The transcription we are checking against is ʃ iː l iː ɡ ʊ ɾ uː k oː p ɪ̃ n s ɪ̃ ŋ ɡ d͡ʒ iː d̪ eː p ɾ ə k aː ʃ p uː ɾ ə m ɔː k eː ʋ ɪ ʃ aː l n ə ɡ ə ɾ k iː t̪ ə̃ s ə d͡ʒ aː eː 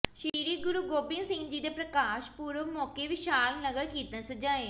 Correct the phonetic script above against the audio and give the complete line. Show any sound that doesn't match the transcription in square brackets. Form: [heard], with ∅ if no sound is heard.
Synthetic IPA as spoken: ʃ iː [ɾ] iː ɡ ʊ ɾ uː [ɡ] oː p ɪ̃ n s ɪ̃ ŋ ɡ d͡ʒ iː d̪ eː p ɾ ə k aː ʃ p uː ɾ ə m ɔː k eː ʋ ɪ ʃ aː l n ə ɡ ə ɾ k iː t̪ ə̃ s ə d͡ʒ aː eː